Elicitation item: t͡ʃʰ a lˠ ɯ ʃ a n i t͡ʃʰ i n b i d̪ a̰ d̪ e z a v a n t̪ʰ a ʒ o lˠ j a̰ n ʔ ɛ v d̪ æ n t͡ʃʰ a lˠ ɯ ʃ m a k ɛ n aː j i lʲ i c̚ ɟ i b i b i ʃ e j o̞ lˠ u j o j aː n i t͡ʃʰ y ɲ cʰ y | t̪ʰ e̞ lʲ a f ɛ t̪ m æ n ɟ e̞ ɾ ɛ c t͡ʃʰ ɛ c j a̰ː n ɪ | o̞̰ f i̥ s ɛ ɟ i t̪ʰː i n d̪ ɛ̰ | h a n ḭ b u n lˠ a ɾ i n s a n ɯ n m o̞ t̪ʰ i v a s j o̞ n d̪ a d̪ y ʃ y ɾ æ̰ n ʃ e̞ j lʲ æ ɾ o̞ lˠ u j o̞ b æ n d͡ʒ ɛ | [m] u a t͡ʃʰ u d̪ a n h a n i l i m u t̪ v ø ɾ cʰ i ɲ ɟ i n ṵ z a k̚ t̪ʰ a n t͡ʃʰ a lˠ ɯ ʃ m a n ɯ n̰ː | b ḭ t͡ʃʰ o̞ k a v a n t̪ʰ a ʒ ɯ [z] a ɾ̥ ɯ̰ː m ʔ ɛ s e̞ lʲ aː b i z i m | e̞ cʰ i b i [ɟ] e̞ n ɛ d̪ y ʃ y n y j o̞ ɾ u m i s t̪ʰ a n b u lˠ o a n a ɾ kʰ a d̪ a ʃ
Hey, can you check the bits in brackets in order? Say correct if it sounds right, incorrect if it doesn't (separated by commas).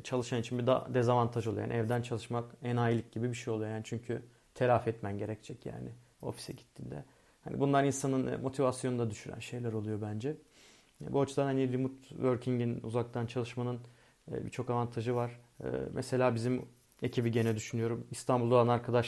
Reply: incorrect, incorrect, correct